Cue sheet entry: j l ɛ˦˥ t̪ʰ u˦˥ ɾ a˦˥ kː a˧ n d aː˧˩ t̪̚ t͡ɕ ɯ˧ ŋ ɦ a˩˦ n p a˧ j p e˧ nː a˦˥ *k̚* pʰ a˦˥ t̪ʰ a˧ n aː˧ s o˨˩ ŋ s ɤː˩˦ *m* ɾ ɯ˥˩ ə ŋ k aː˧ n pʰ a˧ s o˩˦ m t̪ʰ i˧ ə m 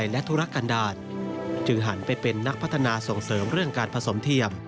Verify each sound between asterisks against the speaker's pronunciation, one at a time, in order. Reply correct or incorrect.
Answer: correct, correct

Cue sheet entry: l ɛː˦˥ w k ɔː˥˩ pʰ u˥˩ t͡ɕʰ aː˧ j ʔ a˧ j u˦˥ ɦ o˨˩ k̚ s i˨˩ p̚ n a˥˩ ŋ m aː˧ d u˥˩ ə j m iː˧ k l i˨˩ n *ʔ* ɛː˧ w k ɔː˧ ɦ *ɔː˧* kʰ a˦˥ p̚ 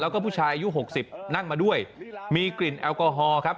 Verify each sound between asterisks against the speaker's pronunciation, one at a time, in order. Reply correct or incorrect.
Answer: correct, correct

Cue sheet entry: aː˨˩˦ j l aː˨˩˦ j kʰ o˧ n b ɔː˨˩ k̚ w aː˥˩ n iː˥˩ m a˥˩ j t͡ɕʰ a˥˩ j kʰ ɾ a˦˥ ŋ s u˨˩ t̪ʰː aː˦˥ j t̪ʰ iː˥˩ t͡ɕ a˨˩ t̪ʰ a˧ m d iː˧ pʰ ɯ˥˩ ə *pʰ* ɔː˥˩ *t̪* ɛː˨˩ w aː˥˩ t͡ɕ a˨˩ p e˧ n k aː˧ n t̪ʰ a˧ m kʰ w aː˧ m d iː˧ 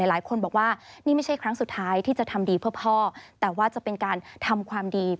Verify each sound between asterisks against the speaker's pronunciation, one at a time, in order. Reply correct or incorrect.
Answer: correct, correct

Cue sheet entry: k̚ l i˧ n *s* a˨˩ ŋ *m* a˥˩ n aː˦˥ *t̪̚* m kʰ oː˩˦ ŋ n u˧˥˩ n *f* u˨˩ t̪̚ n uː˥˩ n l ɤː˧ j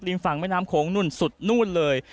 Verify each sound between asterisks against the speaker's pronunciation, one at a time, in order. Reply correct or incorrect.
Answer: incorrect, correct, incorrect, incorrect

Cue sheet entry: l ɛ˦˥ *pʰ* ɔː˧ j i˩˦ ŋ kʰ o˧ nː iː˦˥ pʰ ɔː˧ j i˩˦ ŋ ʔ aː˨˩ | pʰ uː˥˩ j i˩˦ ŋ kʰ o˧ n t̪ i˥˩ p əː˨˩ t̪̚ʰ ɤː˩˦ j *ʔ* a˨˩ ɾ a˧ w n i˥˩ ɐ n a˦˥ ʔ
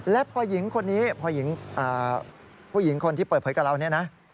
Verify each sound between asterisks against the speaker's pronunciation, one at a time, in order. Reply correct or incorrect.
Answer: correct, incorrect

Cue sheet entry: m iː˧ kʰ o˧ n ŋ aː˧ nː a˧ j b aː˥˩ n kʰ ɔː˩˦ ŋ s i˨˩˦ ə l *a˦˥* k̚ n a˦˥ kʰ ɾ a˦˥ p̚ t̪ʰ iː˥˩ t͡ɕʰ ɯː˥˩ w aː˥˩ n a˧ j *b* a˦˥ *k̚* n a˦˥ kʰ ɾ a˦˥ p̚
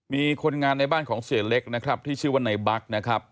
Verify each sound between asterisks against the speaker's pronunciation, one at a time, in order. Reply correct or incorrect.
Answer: incorrect, correct, correct

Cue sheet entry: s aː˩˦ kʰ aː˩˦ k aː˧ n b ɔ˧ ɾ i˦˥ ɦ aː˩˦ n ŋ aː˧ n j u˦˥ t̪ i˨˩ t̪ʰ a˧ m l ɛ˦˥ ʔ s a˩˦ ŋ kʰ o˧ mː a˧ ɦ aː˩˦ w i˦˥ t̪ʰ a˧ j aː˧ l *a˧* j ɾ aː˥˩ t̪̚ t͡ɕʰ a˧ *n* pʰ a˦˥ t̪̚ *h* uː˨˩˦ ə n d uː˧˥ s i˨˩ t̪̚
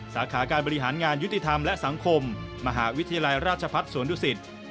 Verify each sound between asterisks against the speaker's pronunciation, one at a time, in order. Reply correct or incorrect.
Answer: correct, incorrect, incorrect

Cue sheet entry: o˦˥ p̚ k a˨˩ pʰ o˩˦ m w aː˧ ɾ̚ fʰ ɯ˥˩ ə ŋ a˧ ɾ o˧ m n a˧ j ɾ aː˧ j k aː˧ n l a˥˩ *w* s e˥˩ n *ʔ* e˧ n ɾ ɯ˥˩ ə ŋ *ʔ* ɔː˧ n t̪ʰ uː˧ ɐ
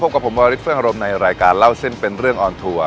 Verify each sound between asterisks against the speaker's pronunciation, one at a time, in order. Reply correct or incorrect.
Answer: correct, incorrect, correct

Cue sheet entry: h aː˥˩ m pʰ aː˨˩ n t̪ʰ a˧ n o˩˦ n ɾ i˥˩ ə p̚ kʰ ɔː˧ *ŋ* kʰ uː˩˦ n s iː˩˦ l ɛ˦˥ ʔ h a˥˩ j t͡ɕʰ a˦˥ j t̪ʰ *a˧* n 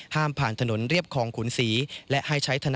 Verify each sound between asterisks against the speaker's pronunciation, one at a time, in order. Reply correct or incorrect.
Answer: correct, correct

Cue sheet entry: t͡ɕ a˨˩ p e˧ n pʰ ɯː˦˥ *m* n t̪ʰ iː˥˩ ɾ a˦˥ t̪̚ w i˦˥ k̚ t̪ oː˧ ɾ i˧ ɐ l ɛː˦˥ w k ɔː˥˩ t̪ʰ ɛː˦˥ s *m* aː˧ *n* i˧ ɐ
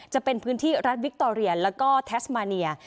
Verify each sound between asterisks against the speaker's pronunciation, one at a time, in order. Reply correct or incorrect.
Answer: incorrect, correct, correct

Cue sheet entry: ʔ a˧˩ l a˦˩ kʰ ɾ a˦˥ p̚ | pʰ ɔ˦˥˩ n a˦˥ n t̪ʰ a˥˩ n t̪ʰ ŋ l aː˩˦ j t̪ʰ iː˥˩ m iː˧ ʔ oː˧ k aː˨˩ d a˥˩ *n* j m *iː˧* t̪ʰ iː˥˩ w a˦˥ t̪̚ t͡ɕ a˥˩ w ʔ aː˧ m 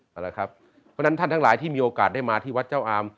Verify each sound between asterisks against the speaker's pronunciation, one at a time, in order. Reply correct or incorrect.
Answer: incorrect, incorrect

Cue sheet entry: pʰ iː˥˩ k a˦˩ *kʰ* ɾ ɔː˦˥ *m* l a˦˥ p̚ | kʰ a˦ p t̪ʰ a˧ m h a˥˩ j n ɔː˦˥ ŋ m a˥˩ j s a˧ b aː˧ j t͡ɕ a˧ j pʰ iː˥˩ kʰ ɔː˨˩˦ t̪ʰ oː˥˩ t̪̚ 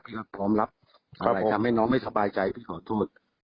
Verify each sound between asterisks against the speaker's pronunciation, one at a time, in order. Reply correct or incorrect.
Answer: incorrect, correct

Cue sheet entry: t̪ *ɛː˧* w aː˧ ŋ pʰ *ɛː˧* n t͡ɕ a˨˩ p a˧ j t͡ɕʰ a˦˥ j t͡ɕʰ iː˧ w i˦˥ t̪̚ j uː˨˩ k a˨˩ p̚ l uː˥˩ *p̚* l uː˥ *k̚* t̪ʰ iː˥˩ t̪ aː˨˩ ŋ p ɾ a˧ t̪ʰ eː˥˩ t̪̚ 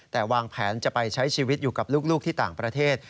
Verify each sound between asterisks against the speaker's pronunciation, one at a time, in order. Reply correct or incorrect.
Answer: incorrect, incorrect, incorrect, correct

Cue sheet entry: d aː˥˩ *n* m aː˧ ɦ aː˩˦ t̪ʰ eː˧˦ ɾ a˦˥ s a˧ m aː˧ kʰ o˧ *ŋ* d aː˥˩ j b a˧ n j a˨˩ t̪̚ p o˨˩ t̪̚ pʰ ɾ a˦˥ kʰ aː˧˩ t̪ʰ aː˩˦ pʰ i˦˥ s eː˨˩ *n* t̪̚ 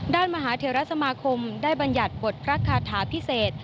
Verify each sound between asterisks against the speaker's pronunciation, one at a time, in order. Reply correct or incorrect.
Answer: correct, incorrect, incorrect

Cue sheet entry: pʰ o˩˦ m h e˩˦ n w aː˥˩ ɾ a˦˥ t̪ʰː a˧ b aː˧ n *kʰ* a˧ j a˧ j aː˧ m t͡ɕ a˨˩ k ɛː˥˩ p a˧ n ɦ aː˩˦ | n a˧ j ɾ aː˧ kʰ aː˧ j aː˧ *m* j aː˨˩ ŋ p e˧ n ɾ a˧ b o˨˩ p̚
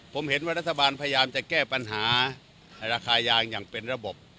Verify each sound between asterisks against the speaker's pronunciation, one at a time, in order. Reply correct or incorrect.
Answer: incorrect, incorrect

